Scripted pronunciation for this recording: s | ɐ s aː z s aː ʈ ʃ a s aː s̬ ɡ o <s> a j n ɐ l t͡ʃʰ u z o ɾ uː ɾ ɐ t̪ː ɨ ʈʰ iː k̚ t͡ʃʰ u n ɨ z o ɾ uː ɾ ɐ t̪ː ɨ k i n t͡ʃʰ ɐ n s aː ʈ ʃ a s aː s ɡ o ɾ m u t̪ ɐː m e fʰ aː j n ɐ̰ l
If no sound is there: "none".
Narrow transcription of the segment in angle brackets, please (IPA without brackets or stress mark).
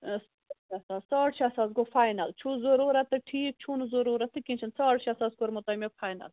f